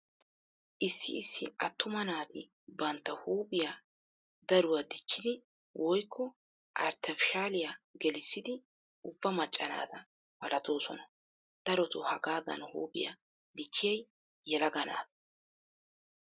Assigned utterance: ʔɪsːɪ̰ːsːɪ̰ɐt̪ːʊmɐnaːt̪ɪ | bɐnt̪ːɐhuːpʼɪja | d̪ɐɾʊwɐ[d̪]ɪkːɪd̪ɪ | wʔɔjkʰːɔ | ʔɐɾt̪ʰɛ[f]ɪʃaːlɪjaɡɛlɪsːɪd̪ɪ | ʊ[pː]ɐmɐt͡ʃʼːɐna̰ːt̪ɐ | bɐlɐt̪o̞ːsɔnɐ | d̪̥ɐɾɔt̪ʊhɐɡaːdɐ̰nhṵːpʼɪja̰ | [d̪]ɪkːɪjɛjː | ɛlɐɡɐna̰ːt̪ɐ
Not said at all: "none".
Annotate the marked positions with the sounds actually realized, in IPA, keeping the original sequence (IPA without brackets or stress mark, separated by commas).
d̪, f, bː, d̪